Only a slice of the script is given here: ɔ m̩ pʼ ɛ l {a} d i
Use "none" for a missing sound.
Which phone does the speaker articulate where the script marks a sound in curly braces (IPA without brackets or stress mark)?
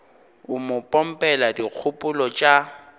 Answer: a